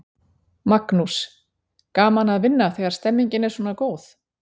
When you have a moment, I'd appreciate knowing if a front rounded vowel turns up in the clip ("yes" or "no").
no